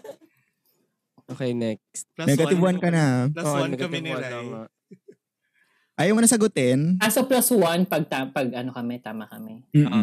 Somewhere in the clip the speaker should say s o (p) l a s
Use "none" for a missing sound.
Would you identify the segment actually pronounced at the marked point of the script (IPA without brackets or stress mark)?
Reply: p